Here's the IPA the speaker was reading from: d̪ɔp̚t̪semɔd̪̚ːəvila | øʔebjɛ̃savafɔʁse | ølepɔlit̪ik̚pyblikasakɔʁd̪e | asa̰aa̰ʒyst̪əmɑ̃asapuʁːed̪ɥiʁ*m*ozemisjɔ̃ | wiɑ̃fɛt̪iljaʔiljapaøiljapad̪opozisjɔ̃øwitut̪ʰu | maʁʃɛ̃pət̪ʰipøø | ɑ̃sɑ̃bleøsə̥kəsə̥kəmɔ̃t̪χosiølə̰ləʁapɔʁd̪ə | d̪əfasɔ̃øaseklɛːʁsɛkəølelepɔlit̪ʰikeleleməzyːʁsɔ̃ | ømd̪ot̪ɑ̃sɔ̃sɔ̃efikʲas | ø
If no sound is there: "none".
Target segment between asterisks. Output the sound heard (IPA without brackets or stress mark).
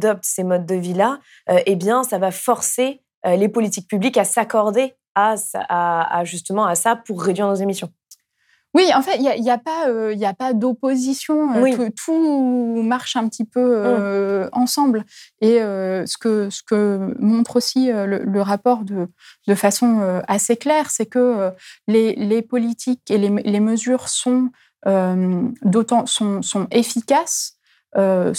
n